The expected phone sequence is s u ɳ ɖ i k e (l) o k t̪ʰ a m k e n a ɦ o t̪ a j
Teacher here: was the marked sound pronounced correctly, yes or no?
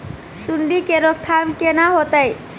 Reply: no